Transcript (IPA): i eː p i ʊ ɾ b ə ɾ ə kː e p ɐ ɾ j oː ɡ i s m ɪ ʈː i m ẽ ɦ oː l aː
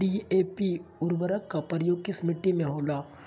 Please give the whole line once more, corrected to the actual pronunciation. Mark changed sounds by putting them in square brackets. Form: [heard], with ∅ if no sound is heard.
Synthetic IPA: i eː p i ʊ ɾ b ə ɾ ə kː [a] p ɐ ɾ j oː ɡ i s m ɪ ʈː i m ẽ ɦ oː l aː